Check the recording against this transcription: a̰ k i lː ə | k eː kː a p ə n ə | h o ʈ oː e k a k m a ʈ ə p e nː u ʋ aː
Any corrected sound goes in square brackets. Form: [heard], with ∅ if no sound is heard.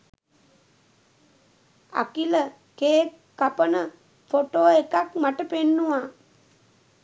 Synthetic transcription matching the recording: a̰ k i [l] ə | k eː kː a p ə n ə | [f] o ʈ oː e k a k m a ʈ ə p e nː u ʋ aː